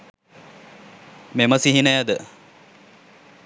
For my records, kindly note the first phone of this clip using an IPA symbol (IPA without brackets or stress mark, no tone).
m